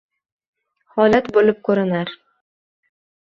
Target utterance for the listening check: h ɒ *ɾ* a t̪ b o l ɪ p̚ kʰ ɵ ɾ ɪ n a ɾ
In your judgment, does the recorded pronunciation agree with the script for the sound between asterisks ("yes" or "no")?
no